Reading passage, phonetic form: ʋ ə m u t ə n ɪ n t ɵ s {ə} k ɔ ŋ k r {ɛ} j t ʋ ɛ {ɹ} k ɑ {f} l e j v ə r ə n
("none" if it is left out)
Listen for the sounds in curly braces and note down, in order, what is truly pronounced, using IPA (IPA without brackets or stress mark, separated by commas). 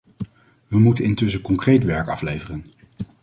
ə, e, ɹ, f